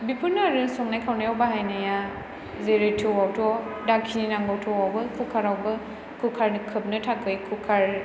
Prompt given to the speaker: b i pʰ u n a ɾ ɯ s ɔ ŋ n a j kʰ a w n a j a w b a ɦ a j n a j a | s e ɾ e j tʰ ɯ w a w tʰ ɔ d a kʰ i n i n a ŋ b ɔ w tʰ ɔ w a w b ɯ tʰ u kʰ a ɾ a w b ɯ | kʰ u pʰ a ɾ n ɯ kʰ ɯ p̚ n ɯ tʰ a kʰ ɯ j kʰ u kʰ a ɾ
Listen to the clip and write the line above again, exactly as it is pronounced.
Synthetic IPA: b i pʰ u n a ɾ ɯ s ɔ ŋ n a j kʰ a w n a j a w b a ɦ a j n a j a | z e ɾ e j tʰ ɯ w a w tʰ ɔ d a kʰ i n i n a ŋ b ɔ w tʰ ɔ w a w b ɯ kʰ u kʰ a ɾ a w b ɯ | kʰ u kʰ a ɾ n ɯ kʰ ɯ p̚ n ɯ tʰ a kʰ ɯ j kʰ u kʰ a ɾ